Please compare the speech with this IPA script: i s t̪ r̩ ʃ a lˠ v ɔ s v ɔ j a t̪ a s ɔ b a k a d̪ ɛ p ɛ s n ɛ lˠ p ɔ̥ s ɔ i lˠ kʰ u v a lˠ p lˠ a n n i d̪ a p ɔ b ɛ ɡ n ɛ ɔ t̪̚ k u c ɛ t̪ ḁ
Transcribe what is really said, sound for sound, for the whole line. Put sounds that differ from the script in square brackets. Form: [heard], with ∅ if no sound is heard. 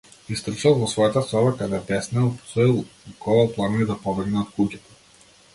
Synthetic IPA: i s t̪ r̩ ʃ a lˠ v ɔ s v ɔ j a t̪ a s ɔ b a k a d̪ ɛ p ɛ s n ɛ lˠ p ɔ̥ s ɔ i lˠ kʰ [ɔ] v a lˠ p lˠ a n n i d̪ a p ɔ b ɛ ɡ n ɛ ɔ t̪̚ k u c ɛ t̪ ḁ